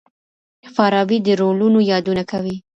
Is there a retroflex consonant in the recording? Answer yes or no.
no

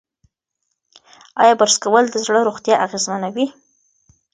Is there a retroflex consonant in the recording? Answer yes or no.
yes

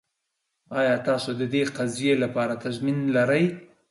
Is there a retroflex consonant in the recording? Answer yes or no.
no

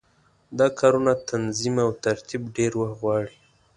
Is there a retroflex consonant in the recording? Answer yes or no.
yes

